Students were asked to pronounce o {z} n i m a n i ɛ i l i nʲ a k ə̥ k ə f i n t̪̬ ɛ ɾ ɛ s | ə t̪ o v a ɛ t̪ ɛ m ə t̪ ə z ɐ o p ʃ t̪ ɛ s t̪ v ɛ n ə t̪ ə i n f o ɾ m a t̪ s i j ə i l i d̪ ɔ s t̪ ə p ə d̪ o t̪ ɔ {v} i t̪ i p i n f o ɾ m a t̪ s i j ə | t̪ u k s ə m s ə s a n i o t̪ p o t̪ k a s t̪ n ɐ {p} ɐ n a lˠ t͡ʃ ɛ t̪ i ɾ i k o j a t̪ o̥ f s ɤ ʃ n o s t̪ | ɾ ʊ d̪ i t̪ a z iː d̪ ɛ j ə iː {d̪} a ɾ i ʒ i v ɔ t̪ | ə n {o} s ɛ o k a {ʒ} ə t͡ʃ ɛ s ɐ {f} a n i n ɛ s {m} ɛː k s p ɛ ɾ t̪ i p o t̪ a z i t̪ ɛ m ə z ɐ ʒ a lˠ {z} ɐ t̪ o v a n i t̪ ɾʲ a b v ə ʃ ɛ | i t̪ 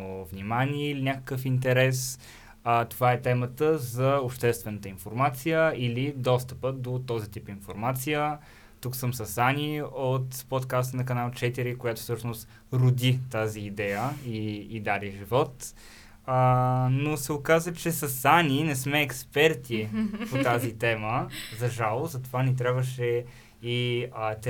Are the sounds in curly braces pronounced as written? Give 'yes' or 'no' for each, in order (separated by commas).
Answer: no, no, no, yes, yes, no, no, yes, yes